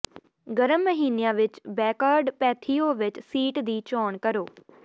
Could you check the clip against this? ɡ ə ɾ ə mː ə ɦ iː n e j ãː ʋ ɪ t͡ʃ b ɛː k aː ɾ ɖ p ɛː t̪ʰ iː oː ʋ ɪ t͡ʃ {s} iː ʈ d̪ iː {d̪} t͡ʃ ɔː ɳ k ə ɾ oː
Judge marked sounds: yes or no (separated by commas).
yes, no